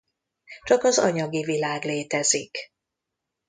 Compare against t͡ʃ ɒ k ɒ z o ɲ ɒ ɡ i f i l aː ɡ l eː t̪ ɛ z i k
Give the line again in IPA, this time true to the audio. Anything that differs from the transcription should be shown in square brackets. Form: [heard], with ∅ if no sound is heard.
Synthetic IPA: t͡ʃ ɒ k ɒ z [ɒ] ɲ ɒ ɡ i [v] i l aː ɡ l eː t̪ ɛ z i k

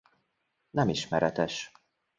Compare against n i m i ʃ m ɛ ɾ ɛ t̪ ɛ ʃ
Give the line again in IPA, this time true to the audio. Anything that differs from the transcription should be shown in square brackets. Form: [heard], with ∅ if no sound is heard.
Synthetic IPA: n [ɛ] m i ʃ m ɛ ɾ ɛ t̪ ɛ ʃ

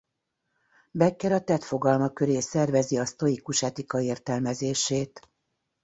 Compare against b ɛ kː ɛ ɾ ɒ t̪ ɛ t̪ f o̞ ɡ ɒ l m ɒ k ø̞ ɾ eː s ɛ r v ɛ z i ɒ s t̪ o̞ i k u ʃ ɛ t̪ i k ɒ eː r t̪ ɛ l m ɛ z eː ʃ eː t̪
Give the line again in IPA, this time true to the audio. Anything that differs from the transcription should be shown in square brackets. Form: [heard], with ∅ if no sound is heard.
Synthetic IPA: b ɛ kː ɛ ɾ ɒ t̪ ɛ t̪ f o̞ ɡ ɒ l m ɒ k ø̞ ɾ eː s ɛ r v ɛ z i ɒ s t̪ o̞ i k u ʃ ɛ t̪ i k ɒ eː r t̪ ɛ l m ɛ z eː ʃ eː t̪

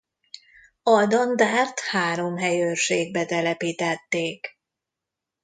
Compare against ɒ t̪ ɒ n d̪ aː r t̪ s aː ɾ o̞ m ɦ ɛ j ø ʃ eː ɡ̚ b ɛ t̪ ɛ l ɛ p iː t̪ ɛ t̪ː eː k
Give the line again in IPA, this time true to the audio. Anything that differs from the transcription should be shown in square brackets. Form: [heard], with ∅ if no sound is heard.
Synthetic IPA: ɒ [d̪] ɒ n d̪ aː r t̪ [h] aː ɾ o̞ m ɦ ɛ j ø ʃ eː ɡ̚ b ɛ t̪ ɛ l ɛ p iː t̪ ɛ t̪ː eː k

